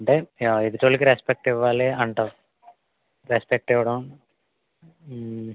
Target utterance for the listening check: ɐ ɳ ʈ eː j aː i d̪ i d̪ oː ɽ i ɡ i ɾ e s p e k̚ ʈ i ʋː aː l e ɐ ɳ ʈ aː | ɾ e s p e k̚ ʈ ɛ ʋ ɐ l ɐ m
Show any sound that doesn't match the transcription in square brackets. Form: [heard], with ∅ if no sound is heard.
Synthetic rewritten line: ɐ ɳ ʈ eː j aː i d̪ i [t̪] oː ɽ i [k] i ɾ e s p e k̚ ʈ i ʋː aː l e ɐ ɳ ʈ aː | ɾ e s p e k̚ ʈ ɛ ʋ ɐ [ɽ] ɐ m